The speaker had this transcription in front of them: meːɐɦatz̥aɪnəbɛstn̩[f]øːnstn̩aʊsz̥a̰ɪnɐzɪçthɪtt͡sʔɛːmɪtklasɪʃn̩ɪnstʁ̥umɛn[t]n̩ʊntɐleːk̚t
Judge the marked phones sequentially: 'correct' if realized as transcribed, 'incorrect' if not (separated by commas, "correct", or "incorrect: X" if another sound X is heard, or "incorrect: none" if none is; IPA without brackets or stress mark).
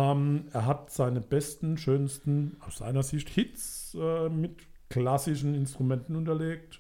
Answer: incorrect: ʃ, correct